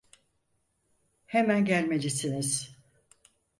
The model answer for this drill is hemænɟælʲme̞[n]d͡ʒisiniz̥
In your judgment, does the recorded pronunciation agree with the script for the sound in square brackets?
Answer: no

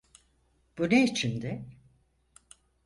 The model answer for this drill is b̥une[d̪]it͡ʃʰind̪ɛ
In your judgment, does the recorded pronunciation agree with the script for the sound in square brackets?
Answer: no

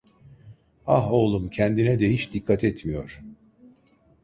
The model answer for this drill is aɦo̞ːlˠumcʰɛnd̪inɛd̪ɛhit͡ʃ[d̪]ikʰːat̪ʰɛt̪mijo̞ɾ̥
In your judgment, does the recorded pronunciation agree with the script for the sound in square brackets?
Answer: yes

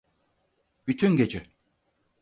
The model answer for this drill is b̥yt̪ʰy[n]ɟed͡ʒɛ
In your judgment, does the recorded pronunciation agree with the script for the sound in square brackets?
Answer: yes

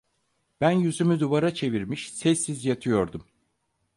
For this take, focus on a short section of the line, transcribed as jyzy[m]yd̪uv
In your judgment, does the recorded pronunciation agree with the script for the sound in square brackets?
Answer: yes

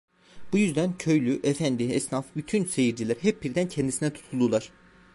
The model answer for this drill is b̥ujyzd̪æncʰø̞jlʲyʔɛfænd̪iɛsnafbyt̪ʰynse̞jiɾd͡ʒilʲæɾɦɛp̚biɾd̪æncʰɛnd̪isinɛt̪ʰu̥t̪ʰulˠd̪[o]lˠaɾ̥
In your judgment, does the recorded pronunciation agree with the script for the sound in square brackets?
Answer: no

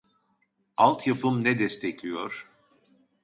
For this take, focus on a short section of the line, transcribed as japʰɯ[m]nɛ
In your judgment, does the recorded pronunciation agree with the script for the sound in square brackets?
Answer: yes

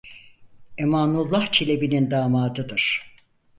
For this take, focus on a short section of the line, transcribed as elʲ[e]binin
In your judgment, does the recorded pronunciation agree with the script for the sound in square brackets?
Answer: yes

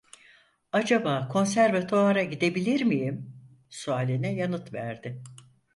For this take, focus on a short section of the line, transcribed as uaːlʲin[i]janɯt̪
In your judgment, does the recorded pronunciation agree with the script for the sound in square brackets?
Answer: no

